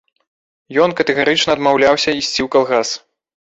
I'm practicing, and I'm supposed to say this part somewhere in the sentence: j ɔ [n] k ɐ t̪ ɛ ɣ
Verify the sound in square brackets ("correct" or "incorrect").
correct